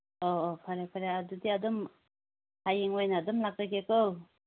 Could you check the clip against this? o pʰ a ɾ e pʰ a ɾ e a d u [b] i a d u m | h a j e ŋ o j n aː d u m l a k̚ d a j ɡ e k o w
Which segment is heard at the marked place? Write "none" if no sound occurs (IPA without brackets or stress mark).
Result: d